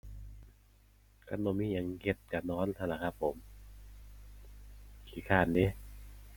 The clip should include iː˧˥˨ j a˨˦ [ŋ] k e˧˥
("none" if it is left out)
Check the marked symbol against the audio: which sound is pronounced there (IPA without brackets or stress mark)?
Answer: ŋ